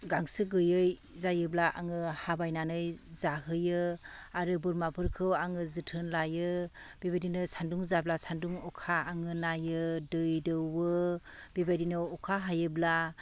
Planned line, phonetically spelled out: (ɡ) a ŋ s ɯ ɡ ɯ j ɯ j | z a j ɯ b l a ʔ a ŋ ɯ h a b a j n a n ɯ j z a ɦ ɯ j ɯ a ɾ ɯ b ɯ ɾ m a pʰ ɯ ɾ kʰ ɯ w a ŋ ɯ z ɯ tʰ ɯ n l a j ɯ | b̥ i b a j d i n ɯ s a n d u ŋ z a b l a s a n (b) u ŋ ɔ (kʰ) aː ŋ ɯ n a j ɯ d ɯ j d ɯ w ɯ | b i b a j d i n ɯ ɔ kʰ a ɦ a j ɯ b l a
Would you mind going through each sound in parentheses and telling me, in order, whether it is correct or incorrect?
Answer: correct, incorrect: d, correct

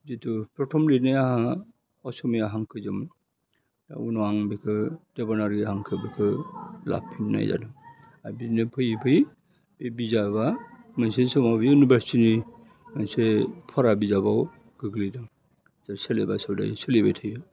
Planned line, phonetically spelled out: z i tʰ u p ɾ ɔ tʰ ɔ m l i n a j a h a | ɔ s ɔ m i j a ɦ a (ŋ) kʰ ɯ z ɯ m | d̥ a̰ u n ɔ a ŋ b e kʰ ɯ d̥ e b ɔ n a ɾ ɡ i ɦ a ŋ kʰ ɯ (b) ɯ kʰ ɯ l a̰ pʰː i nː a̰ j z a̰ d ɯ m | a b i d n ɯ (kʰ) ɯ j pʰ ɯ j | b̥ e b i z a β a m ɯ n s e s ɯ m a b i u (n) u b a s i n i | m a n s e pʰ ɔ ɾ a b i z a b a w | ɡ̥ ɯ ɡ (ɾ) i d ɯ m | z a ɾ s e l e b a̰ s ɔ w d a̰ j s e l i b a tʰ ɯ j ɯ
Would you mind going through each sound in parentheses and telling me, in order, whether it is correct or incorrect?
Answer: correct, correct, incorrect: pʰ, correct, incorrect: l

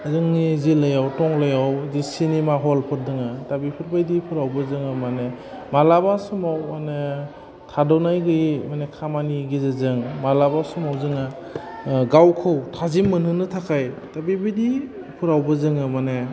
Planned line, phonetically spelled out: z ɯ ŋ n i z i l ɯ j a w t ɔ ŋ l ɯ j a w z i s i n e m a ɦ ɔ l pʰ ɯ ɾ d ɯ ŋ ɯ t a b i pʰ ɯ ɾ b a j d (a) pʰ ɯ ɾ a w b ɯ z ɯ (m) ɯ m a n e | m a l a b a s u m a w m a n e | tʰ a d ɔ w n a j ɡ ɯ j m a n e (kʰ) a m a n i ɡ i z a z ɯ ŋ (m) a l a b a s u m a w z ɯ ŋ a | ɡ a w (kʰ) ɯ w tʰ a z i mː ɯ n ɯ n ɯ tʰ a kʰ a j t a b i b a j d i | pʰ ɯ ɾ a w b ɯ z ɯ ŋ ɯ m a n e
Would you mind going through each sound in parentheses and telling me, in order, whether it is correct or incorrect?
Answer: incorrect: i, incorrect: ŋ, correct, correct, correct

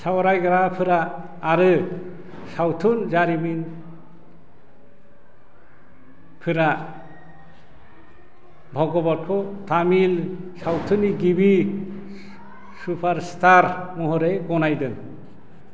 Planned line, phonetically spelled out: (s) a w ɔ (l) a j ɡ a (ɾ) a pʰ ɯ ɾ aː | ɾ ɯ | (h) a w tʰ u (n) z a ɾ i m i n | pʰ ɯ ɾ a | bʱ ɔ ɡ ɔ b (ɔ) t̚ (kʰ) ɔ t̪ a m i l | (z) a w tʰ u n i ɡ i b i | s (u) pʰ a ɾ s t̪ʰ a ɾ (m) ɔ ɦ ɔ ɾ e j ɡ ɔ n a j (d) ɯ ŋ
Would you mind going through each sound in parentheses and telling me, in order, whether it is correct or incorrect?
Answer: correct, incorrect: ɾ, correct, incorrect: s, correct, correct, correct, incorrect: s, correct, correct, correct

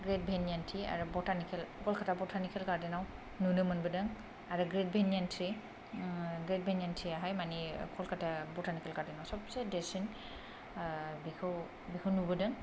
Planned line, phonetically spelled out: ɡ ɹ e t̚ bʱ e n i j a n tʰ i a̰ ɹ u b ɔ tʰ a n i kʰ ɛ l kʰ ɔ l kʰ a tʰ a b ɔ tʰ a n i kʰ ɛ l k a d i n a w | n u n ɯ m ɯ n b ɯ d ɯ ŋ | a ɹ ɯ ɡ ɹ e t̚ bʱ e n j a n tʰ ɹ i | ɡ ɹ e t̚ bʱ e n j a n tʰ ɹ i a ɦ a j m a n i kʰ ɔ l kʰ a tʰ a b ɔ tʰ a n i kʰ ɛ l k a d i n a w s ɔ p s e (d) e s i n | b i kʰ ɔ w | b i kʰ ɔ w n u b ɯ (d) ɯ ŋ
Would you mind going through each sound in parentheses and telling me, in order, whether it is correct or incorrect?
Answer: correct, correct

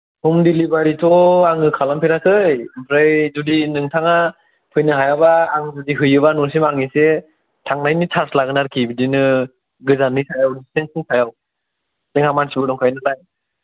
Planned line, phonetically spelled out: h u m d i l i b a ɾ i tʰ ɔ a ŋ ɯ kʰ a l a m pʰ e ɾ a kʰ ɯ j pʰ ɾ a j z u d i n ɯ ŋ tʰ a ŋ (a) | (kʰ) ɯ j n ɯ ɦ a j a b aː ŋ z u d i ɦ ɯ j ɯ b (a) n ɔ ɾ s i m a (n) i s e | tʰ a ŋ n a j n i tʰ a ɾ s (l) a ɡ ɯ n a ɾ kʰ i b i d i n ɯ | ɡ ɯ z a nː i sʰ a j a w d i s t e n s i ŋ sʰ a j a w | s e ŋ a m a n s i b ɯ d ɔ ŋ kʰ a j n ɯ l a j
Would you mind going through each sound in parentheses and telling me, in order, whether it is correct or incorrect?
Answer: correct, incorrect: pʰ, correct, incorrect: ŋ, correct

